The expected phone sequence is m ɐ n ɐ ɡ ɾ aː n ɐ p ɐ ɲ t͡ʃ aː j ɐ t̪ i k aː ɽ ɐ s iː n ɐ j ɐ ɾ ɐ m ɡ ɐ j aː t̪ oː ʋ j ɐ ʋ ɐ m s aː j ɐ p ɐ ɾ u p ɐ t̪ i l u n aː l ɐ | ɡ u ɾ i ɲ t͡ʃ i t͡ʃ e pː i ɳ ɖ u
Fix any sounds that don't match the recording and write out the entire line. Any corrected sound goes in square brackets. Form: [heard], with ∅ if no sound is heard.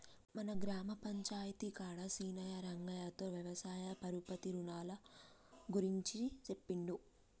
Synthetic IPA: m ɐ n ɐ ɡ ɾ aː [m] ɐ p ɐ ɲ t͡ʃ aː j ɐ t̪ i k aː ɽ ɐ s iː n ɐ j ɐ ɾ ɐ [ŋ] ɡ ɐ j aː t̪ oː ʋ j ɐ ʋ ɐ [∅] s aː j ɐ p ɐ ɾ u p ɐ t̪ i [ɾ] u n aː l ɐ | ɡ u ɾ i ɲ t͡ʃ i t͡ʃ e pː i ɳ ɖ u